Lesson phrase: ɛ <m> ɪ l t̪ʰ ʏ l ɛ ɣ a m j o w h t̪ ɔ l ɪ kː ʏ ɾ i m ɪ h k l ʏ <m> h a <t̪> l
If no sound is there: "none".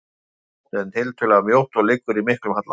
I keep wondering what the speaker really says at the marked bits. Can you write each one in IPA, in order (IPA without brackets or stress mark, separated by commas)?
n, m, t̪